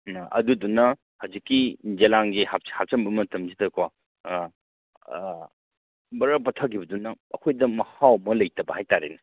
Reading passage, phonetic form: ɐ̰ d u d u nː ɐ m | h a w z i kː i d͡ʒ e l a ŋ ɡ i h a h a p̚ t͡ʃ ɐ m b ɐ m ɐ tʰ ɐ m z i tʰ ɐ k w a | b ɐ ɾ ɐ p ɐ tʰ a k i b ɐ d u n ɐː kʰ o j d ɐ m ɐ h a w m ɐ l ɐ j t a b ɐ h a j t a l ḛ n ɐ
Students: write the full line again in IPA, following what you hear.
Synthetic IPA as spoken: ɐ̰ d u d u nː ɐ | h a w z i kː i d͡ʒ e l a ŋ ɡ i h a h a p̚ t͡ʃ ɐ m b ɐ m ɐ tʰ ɐ m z i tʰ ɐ k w a | b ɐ ɾ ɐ p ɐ tʰ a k i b ɐ d u n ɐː kʰ o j d ɐ m ɐ h a w m ɐ l ɐ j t ɐ b ɐ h a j t a ɾ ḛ n ɐ